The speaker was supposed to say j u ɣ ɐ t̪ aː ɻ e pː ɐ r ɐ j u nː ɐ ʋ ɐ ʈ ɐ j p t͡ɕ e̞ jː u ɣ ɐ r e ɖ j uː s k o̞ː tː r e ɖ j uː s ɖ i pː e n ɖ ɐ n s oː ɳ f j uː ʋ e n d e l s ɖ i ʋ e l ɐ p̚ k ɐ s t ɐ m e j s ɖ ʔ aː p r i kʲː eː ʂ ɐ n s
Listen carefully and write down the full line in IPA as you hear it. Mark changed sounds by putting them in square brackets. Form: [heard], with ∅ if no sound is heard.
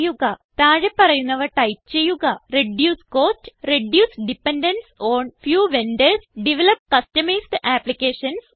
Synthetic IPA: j u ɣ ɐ t̪ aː ɻ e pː ɐ r ɐ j u nː ɐ ʋ ɐ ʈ ɐ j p t͡ɕ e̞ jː u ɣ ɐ r e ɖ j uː s k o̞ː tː r e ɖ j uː s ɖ i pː e n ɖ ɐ n s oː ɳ f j uː ʋ e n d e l s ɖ i ʋ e l ɐ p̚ k ɐ s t ɐ m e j s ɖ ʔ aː p [l] i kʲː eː ʂ ɐ n s